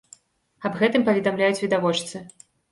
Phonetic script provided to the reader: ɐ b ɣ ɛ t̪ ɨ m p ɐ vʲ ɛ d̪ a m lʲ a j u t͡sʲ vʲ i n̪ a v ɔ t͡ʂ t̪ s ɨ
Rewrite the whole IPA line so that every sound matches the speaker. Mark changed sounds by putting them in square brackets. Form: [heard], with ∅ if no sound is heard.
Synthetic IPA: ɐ b ɣ ɛ t̪ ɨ m p ɐ vʲ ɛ d̪ a m lʲ a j u t͡sʲ vʲ i [d̪] a v ɔ t͡ʂ t̪ s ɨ